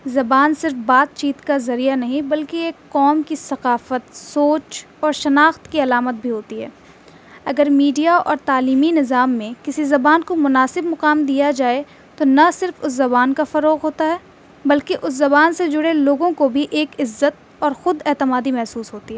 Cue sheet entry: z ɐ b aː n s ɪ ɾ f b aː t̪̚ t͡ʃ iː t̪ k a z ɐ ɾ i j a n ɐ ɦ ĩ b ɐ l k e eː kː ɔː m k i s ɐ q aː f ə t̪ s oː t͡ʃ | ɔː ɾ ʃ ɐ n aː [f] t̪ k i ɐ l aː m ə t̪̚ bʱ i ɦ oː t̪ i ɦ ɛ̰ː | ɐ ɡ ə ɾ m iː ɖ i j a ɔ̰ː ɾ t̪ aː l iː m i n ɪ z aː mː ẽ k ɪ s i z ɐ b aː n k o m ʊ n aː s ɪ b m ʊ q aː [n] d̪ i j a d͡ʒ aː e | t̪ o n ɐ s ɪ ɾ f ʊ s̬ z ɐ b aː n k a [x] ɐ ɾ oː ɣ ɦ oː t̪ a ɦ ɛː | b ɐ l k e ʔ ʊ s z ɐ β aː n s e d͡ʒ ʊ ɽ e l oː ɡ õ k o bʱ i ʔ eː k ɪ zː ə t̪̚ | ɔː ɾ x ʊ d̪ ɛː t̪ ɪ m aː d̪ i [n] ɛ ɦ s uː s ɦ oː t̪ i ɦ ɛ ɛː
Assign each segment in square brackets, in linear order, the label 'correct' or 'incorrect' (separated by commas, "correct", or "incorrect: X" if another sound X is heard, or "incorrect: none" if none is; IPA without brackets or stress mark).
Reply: incorrect: x, incorrect: m, incorrect: f, incorrect: m